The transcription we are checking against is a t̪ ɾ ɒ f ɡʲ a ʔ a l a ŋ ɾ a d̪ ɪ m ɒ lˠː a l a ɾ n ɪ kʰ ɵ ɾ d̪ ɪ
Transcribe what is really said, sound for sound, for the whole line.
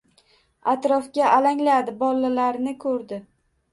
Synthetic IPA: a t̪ ɾ ɒ f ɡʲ a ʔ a l a ŋ l a d̪ ɪ b ɒ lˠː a l a ɾ n ɪ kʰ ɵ ɾ d̪ ɪ

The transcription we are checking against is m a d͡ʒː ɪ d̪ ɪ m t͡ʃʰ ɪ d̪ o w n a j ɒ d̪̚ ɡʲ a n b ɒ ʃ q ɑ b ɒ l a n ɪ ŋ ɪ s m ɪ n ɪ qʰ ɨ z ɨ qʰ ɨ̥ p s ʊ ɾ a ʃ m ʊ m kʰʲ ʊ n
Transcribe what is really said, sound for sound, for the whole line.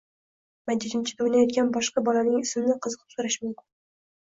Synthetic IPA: m a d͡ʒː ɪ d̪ ɪ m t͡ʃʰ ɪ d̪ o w n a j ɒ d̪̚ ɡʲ a n b ɒ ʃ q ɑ b ɒ l a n ɪ ŋ ɪ s m ɪ n ɪ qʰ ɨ z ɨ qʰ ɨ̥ p s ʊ ɾ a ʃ m ʊ m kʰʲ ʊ n

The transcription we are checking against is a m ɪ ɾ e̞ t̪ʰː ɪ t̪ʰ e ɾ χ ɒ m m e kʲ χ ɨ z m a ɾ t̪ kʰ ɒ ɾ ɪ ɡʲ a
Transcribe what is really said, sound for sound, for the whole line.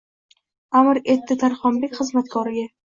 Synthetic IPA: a m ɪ ɾ e̞ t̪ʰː ɪ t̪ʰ a ɾ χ ɒ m b e kʲ χ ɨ z m a t̪ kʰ ɒ ɾ ɪ ɡʲ a

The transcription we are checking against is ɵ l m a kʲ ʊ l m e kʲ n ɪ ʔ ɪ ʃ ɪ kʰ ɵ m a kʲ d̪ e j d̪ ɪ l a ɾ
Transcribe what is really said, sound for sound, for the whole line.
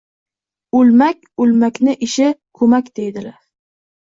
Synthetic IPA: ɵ l m a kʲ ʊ l m a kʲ n ɪ ʔ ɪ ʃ ɪ kʰ ɵ m a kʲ d̪ e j d̪ ɪ l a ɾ

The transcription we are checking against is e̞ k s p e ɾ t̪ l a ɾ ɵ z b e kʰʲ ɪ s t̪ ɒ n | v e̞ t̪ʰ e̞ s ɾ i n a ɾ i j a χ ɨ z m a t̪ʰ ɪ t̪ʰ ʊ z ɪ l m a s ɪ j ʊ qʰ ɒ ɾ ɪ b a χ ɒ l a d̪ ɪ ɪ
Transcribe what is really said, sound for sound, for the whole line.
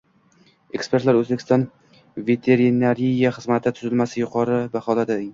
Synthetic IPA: e̞ k s p e ɾ t̪ l a ɾ ɵ z b e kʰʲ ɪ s t̪ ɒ n | v e̞ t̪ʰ e̞ ɾ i n a ɾ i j a χ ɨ z m a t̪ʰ ɪ t̪ʰ ʊ z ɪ l m a s ɪ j ʊ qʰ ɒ ɾ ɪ b a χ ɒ l a d̪ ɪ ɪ

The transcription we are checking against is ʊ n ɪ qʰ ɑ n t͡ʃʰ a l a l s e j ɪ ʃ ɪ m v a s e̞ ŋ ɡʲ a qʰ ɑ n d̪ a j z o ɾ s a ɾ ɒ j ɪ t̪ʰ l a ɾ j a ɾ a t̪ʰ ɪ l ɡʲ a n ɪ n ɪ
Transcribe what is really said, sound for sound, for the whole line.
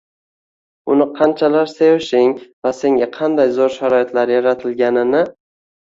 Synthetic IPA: ʊ n ɪ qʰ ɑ n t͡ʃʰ a l a ɾ s e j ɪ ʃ ɪ ŋ v a s e̞ ŋ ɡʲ a qʰ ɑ n d̪ a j z o ɾ ʃ a ɾ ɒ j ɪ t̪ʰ l a ɾ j a ɾ a t̪ʰ ɪ l ɡʲ a n ɪ n ɪ

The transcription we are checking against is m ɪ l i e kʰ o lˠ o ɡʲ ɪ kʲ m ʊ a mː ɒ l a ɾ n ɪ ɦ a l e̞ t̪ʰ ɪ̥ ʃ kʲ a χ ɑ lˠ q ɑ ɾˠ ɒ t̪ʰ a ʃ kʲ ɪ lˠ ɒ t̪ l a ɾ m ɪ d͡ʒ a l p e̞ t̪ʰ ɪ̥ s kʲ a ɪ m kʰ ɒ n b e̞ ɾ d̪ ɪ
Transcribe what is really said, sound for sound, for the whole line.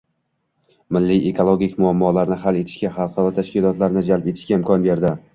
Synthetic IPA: m ɪ lː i e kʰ o lˠ o ɡʲ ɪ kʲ m ʊ a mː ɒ l a ɾ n ɪ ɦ a l e̞ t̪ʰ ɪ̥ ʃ kʲ a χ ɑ lˠ q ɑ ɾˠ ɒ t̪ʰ a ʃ kʲ ɪ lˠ ɒ t̪ l a ɾ n ɪ d͡ʒ a l p e̞ t̪ʰ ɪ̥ ʃ kʲ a ɪ m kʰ ɒ n b e̞ ɾ d̪ ɪ

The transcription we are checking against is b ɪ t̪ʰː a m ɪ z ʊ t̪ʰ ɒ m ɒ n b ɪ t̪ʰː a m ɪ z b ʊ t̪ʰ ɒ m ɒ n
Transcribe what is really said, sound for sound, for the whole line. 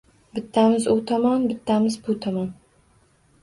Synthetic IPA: b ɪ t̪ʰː a m ɪ z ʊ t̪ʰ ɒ m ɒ n b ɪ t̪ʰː a m ɪ z b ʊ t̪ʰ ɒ m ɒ n

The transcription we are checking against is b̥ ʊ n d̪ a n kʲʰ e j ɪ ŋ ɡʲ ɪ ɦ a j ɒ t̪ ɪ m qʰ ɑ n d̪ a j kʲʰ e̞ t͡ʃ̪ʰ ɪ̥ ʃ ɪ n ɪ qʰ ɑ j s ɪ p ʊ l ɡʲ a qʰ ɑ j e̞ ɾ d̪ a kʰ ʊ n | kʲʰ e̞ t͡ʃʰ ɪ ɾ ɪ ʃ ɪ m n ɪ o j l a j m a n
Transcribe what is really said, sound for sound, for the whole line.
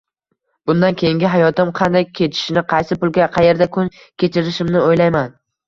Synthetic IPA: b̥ ʊ n d̪ a n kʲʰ e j ɪ ŋ ɡʲ ɪ ɦ a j ɒ t̪ ɪ m qʰ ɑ n d̪ a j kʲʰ e̞ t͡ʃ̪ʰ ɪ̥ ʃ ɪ n ɪ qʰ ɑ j s ɪ p ʊ l ɡʲ a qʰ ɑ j e̞ ɾ d̪ a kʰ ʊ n | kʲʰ e̞ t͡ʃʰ ɪ ɾ ɪ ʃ ɪ m n ɪ o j l a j m a n

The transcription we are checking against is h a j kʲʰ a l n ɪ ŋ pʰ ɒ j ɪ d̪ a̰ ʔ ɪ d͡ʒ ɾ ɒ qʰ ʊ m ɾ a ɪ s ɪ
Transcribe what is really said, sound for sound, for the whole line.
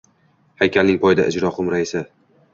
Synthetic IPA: h a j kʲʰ a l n ɪ ŋ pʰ ɒ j ɪ d̪ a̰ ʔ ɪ d͡ʒ ɾ ɒ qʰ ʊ m ɾ a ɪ s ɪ

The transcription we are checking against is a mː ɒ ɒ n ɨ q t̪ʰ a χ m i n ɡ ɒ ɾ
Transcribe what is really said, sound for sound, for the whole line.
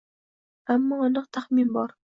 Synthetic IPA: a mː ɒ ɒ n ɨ q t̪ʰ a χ m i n b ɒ ɾ

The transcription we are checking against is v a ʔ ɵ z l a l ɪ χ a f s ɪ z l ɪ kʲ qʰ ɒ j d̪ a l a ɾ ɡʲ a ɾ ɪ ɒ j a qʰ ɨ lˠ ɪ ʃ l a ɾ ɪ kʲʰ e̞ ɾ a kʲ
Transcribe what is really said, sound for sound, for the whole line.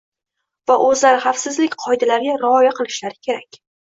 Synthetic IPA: v a ʔ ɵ z l a ɾ ɪ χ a f s ɪ z l ɪ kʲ qʰ ɒ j d̪ a l a ɾ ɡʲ a ɾ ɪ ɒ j a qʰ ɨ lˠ ɪ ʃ l a ɾ ɪ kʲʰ e̞ ɾ a kʲ

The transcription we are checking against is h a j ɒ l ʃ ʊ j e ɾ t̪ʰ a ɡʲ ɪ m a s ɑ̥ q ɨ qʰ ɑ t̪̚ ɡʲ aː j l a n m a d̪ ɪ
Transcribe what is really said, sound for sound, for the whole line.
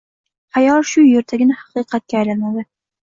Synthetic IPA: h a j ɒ l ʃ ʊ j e ɾ t̪ʰ a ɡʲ ɪ n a h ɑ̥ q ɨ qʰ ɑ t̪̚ kʲ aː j l a n m a d̪ ɪ

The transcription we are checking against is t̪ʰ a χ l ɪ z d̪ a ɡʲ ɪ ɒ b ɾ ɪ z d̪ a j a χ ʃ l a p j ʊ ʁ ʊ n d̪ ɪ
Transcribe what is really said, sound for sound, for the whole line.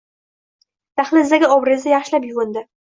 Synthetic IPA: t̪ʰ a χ l ɪ z d̪ a ɡʲ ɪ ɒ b ɾ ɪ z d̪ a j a χ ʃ l a p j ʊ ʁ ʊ n d̪ ɪ

